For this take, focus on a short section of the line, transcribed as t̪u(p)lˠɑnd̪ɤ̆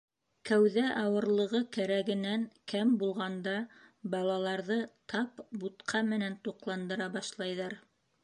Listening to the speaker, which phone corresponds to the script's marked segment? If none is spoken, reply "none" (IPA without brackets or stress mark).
q